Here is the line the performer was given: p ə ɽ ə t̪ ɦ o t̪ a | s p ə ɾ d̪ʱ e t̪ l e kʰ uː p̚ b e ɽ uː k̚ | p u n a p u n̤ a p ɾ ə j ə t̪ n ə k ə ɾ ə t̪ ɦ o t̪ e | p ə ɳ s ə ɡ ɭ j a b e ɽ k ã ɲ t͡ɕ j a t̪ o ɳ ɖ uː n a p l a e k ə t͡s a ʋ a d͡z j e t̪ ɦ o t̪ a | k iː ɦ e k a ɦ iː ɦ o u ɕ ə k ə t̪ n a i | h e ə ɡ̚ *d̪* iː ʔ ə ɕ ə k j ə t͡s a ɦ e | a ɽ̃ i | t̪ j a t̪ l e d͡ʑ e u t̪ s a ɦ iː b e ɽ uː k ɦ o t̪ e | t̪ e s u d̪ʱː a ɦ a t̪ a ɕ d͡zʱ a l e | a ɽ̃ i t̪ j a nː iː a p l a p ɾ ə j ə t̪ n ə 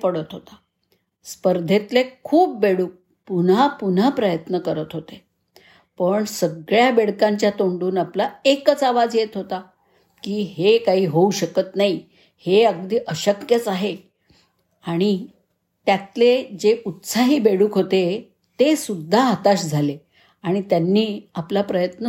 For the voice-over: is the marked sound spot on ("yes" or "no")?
yes